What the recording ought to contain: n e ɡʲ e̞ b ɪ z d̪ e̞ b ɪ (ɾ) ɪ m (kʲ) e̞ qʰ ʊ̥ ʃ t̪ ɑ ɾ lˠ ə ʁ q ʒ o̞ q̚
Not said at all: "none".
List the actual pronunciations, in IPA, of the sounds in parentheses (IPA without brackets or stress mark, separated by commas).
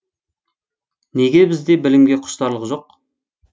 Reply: l, ɡʲ